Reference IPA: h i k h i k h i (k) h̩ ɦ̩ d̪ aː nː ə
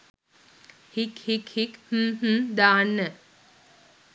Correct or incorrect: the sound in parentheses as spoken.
correct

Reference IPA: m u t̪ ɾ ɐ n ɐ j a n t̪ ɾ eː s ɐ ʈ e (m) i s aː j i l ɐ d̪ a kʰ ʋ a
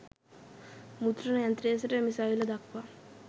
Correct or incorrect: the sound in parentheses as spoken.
correct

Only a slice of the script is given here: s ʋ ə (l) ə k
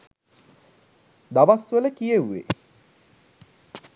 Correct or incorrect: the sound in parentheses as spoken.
correct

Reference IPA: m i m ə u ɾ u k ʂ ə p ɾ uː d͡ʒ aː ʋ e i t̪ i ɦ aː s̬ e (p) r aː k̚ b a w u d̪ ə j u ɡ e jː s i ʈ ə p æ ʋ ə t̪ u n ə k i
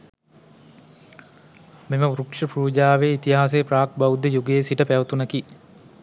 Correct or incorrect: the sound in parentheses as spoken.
correct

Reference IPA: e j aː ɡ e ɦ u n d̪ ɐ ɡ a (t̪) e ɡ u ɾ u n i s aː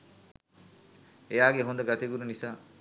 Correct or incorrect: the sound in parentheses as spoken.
correct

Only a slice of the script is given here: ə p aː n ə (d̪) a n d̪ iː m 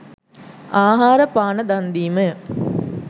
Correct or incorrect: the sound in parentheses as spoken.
correct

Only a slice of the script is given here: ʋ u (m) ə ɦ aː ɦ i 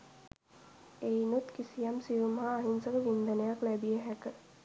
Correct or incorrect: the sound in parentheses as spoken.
correct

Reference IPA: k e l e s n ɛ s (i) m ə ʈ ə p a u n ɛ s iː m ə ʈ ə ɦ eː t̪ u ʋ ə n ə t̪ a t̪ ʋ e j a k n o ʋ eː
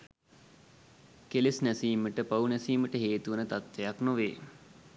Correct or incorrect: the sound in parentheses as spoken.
incorrect: iː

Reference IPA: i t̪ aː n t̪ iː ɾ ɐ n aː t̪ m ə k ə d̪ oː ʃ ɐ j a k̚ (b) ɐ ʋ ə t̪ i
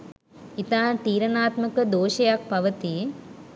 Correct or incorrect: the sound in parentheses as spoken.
incorrect: p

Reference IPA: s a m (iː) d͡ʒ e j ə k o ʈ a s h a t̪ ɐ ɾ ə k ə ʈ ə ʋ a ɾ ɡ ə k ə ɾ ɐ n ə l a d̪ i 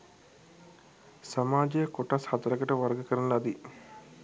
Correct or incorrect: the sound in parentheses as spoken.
incorrect: aː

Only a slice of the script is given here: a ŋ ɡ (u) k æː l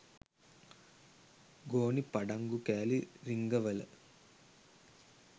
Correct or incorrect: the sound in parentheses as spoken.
correct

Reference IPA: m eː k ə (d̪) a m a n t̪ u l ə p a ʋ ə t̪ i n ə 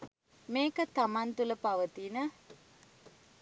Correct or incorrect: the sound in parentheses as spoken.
incorrect: t̪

